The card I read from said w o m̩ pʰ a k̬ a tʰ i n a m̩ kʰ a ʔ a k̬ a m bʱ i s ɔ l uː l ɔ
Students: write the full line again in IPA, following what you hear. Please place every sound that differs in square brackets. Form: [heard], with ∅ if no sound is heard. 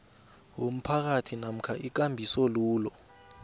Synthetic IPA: w o m̩ pʰ a k̬ a tʰ i n a m̩ kʰ a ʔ [i] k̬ a m bʱ i s ɔ l uː l ɔ